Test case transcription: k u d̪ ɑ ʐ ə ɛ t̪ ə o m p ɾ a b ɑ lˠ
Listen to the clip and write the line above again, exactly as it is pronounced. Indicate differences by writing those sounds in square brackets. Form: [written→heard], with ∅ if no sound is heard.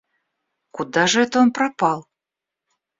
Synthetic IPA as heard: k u d̪ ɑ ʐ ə ɛ t̪ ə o [m→n] p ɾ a [b→p] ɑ lˠ